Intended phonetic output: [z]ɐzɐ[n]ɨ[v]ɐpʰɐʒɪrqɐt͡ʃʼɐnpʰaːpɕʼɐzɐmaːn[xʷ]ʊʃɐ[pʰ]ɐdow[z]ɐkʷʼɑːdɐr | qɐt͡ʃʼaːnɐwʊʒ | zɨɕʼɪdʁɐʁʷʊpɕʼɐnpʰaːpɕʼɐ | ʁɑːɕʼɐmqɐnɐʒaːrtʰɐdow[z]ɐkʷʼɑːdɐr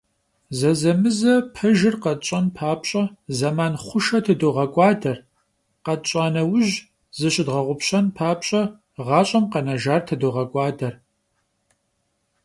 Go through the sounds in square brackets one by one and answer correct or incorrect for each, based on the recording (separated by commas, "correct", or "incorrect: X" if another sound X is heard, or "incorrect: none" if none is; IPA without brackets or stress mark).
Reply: correct, incorrect: m, incorrect: z, incorrect: χʷ, incorrect: tʰ, incorrect: ʁ, incorrect: ʁ